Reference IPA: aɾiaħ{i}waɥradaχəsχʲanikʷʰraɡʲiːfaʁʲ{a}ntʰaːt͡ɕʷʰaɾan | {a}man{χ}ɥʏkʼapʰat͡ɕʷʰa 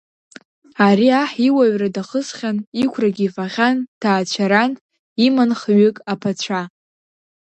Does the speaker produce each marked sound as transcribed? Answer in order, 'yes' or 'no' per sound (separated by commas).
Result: yes, yes, no, yes